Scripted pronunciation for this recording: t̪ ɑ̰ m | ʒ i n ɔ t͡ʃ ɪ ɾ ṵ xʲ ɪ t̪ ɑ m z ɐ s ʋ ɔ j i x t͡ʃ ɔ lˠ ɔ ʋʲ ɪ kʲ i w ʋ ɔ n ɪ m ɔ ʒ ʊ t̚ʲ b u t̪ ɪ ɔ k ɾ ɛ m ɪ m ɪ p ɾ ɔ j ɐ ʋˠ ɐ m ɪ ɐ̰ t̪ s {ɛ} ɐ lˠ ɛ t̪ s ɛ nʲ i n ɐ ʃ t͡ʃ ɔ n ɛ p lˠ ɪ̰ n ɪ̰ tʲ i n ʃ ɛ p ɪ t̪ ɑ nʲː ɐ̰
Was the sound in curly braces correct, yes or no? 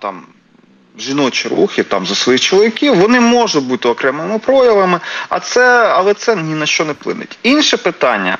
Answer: yes